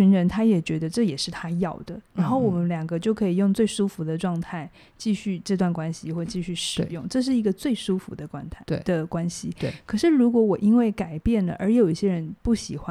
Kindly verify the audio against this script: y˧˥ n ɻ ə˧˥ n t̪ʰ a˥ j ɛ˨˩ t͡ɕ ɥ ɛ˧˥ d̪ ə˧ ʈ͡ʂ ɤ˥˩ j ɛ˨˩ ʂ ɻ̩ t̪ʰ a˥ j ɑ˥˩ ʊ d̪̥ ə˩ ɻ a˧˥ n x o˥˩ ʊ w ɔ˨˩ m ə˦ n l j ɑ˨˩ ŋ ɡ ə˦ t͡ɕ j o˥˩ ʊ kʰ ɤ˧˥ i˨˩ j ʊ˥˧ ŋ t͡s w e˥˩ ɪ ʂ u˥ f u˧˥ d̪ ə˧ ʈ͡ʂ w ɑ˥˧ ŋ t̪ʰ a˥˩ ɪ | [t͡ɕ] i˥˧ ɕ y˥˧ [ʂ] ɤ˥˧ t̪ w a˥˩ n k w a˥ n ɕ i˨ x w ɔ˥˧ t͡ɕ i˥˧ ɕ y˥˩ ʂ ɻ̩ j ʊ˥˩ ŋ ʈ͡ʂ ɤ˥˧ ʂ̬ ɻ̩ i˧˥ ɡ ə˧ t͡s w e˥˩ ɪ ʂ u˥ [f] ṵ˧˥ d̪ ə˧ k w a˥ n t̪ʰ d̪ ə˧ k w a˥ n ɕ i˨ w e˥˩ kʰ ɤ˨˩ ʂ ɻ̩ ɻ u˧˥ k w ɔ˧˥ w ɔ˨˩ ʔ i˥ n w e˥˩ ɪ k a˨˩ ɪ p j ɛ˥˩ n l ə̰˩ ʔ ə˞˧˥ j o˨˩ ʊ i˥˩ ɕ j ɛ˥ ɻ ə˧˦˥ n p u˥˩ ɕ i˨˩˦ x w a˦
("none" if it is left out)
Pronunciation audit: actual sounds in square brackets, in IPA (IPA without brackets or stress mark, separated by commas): t͡ɕ, ʈ͡ʂ, f